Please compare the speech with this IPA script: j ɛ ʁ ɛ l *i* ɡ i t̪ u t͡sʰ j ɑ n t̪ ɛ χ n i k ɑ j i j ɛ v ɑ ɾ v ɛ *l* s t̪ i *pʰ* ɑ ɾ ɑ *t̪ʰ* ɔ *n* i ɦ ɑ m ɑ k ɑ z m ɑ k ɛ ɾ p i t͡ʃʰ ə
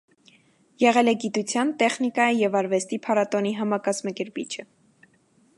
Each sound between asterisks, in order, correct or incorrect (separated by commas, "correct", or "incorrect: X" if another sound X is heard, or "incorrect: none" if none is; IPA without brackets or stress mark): incorrect: ɛ, incorrect: none, correct, incorrect: t̪, correct